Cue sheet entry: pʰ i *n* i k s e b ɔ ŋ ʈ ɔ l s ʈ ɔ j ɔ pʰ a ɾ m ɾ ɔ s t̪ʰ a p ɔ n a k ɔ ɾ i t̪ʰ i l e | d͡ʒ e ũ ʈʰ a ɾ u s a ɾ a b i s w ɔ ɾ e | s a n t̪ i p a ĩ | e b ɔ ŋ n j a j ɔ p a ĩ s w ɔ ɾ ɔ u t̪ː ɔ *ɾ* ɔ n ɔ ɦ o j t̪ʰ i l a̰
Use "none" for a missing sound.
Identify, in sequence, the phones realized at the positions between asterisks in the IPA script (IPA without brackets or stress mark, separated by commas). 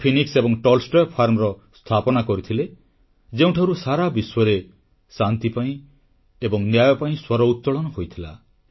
n, ɭ